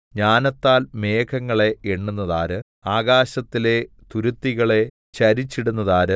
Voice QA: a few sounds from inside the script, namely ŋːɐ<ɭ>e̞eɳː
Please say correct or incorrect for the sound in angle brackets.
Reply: correct